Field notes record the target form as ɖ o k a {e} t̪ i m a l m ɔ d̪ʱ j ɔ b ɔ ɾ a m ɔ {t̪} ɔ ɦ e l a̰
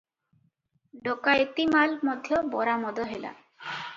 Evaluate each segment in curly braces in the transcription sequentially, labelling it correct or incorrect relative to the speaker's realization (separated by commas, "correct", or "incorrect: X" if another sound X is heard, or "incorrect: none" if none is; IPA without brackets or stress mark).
correct, incorrect: d̪